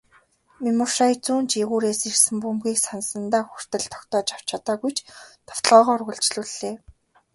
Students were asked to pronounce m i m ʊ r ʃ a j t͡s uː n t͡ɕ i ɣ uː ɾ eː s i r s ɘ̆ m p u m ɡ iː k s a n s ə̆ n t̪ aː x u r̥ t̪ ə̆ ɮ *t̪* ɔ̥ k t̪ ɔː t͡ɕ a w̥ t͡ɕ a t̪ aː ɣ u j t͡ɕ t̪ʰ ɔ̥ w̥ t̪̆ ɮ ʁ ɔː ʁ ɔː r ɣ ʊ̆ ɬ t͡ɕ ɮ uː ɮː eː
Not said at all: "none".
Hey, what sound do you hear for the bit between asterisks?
t̪ʰ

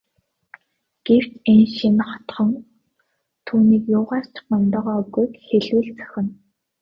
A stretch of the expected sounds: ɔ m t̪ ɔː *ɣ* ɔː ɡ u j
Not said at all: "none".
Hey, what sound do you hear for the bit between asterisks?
ʁ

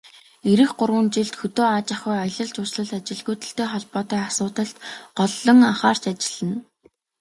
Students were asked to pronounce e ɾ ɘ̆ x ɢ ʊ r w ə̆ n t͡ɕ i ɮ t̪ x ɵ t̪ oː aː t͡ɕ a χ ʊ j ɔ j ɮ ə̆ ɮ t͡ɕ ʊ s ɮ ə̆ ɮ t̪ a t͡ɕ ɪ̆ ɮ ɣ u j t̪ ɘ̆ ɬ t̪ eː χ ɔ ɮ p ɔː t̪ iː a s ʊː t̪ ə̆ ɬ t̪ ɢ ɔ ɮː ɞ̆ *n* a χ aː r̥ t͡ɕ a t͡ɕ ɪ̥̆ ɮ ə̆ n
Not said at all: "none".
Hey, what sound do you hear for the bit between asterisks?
ŋ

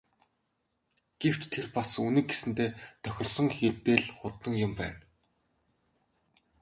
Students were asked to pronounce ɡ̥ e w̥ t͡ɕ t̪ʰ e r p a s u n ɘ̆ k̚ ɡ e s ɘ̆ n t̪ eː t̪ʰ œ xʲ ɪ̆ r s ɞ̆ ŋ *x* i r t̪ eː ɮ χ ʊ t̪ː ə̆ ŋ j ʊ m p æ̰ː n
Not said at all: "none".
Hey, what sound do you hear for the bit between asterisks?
x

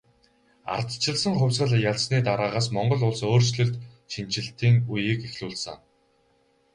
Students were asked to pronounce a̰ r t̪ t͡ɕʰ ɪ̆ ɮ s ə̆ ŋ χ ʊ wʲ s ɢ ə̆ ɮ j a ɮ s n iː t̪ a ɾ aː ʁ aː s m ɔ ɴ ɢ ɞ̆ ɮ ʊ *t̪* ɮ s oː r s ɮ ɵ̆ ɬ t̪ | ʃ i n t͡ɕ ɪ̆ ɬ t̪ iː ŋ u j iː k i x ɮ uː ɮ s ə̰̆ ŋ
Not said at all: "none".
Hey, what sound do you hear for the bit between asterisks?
none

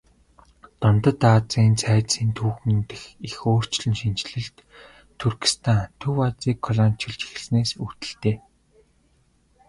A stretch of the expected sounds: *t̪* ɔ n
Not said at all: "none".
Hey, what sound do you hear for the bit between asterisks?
t̪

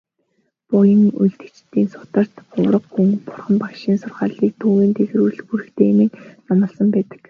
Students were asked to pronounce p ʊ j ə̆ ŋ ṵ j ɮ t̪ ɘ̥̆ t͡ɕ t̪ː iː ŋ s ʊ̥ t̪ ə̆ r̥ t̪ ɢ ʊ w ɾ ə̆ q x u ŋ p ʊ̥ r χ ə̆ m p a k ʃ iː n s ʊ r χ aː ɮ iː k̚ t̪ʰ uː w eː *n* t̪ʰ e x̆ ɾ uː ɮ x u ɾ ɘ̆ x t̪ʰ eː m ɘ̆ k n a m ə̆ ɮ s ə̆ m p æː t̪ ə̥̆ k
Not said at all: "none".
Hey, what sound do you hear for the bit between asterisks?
n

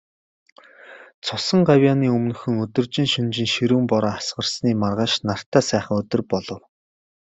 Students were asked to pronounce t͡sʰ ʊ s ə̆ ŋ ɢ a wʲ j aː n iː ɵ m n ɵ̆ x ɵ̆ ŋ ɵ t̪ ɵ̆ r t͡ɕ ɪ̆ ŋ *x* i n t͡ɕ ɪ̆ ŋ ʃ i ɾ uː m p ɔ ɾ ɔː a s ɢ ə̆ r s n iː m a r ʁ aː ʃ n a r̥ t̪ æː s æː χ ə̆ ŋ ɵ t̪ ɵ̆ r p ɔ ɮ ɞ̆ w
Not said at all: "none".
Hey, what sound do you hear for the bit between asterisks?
ʃ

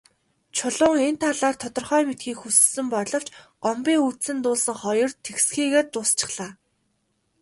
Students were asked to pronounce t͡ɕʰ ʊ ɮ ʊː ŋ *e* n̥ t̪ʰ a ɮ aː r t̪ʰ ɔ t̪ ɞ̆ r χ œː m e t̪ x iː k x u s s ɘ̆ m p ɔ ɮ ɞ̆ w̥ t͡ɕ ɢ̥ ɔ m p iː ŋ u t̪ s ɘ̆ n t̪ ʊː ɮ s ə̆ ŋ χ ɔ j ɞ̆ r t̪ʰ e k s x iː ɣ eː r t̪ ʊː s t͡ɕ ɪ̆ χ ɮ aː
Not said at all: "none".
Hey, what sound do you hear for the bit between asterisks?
e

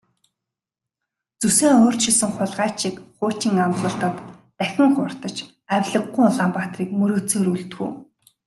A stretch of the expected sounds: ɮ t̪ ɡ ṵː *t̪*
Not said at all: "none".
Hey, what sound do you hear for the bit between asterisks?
none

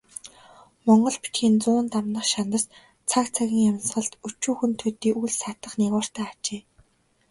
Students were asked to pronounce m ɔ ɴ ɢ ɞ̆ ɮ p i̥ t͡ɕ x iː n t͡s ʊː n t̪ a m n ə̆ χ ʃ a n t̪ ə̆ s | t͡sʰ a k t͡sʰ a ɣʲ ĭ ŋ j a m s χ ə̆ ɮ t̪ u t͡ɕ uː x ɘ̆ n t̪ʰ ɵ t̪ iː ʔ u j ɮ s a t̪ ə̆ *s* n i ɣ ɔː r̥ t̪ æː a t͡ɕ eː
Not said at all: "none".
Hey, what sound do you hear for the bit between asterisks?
χ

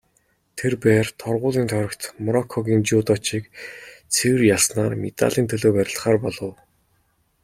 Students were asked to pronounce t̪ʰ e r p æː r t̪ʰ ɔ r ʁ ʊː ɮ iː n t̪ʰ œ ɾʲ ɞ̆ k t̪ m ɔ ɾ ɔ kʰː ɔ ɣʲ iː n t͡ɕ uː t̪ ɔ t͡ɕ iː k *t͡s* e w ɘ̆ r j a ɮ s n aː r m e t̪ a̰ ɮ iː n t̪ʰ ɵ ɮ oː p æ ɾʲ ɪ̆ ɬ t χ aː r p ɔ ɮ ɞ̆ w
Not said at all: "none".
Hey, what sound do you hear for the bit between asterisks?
t͡sʰ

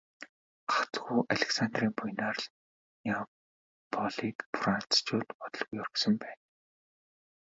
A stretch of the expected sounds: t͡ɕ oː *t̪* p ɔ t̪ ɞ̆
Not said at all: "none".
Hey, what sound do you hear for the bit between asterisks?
t̪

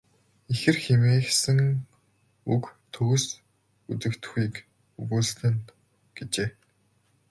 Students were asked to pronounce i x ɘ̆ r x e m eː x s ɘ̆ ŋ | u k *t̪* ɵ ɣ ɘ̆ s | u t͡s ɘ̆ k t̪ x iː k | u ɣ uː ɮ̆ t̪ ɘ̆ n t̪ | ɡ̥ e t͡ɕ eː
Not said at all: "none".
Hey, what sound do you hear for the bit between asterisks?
t̪ʰ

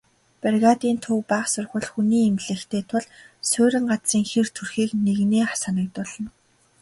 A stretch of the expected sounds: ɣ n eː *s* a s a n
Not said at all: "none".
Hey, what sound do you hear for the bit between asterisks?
χ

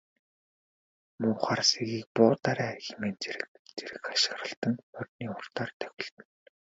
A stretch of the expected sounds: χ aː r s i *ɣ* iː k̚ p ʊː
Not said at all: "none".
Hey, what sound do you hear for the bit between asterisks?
ɣ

